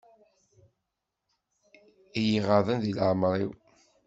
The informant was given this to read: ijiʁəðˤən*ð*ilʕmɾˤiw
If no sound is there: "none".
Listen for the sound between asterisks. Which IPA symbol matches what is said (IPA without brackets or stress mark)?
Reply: ð